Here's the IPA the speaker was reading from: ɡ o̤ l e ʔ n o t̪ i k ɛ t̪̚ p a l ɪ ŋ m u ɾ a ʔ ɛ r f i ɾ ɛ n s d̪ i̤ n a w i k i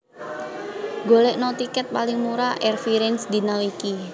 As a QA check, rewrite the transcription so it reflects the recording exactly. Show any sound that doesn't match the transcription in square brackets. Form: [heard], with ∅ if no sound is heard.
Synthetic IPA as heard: ɡ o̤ l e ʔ n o t̪ i k ɛ t̪̚ p a l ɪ ŋ m u ɾ a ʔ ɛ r f i ɾ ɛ n s d̪ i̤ n a w i k i